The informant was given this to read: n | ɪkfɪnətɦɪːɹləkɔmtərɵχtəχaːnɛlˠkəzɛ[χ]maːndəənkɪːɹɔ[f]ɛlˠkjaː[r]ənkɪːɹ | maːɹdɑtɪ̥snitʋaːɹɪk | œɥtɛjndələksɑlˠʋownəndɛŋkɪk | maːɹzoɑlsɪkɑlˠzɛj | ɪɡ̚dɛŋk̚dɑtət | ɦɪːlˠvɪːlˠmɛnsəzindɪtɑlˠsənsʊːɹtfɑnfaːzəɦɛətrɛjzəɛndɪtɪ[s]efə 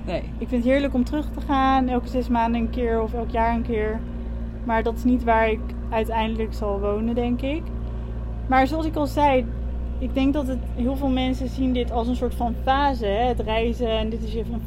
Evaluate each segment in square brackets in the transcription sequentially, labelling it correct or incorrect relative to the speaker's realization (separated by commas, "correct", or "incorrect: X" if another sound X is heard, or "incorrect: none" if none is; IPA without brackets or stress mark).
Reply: incorrect: s, correct, incorrect: ɹ, correct